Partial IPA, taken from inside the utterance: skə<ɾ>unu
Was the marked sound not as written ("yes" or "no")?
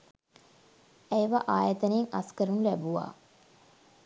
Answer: no